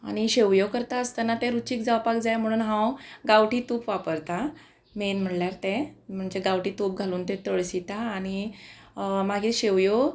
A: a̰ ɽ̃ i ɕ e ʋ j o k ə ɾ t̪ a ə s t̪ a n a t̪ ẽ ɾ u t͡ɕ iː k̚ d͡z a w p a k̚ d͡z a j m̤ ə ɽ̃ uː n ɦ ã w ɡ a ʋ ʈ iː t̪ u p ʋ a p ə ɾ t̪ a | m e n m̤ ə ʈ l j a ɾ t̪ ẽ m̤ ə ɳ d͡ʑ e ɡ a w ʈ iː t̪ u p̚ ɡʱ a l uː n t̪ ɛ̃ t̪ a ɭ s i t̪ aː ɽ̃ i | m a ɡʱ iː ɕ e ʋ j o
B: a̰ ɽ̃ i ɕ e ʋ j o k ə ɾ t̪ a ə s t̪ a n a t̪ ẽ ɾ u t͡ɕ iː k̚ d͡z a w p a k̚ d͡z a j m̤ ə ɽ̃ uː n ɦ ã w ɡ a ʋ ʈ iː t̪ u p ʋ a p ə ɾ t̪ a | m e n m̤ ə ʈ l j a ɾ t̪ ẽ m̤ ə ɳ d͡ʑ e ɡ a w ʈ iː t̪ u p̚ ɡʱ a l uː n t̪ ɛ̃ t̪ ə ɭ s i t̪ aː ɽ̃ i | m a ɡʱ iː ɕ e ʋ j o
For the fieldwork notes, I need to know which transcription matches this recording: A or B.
B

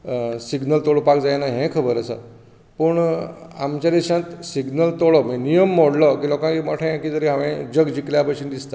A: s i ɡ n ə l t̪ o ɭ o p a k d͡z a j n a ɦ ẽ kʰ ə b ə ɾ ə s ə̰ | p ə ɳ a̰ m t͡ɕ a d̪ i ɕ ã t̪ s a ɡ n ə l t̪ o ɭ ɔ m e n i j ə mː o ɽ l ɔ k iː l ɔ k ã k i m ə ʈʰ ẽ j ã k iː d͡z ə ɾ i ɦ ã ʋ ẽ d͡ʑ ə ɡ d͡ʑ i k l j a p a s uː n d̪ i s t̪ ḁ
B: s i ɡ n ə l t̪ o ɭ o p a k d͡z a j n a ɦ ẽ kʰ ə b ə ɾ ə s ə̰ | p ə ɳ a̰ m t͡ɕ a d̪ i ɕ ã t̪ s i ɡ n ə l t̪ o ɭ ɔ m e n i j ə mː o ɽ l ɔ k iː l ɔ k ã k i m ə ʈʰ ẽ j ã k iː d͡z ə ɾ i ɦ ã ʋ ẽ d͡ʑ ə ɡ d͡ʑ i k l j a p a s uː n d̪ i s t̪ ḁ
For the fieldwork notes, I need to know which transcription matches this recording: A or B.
B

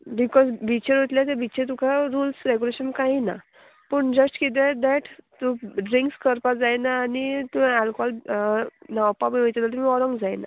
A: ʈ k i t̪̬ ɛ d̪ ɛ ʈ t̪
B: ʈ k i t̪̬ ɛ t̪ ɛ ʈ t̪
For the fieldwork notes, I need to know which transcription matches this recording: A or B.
A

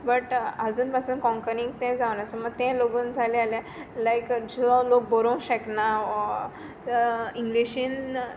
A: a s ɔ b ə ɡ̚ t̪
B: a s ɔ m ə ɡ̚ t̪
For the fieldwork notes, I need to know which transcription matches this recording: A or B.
B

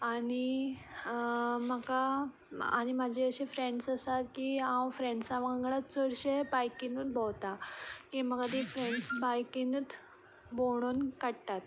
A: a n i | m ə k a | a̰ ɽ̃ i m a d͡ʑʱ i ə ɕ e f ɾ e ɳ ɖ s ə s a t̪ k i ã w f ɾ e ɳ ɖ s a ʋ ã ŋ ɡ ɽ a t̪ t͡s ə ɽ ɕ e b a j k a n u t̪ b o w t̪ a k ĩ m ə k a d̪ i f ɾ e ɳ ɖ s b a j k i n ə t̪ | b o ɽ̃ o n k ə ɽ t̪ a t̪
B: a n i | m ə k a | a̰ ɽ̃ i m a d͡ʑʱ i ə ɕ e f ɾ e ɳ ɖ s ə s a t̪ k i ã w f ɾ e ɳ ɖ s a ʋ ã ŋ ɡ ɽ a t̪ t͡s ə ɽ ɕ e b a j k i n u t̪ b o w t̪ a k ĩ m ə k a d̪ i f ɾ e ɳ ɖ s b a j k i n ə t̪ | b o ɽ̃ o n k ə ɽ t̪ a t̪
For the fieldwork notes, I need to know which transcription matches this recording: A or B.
B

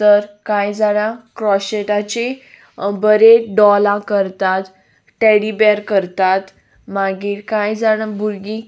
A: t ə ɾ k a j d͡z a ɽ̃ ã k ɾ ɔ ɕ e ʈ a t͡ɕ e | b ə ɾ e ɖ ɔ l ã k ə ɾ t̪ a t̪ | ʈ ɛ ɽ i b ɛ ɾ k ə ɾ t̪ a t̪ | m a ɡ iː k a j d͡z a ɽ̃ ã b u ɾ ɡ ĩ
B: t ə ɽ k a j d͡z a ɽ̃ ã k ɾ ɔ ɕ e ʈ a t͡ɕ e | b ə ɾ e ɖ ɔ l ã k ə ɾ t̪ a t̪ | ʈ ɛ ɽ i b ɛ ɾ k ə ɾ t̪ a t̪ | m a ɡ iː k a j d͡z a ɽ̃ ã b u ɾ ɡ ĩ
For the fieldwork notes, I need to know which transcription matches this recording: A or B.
A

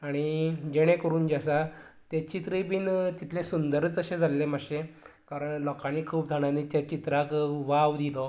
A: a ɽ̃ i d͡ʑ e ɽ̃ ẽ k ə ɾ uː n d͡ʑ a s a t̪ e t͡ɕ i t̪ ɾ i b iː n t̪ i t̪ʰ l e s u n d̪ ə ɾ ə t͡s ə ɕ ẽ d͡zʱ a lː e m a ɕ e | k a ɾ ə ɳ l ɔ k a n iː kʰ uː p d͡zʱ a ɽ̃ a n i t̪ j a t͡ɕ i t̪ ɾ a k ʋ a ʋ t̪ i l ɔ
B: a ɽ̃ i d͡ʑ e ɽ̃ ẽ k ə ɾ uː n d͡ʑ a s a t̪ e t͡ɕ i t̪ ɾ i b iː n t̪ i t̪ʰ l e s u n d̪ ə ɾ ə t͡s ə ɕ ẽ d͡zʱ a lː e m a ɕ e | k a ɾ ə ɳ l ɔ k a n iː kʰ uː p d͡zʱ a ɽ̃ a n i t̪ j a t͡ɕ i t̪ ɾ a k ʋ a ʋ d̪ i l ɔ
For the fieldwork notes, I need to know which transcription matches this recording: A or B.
B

